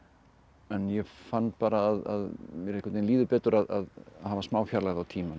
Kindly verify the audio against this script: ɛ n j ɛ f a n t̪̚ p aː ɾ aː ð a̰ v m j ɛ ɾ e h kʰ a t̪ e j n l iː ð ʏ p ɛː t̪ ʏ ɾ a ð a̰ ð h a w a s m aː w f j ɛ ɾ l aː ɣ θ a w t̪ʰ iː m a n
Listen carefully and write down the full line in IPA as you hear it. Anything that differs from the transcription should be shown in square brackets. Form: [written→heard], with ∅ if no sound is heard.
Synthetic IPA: ɛ n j ɛ f a n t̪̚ p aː ɾ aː ð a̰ [v→ð] m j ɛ ɾ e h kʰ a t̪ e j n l iː ð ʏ p ɛː t̪ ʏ ɾ a ð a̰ ð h a [w→v] a s m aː w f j [ɛ→a] ɾ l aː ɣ [θ→ð] a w t̪ʰ iː m a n